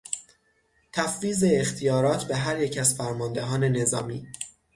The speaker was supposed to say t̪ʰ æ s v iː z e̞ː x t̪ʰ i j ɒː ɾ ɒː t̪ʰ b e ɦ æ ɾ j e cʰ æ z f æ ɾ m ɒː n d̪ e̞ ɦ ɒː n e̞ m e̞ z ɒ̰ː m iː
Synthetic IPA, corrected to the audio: t̪ʰ æ f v iː z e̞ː x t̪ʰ i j ɒː ɾ ɒː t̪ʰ b e ɦ æ ɾ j e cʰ æ z f æ ɾ m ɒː n d̪ e̞ ɦ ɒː n e̞ n e̞ z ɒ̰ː m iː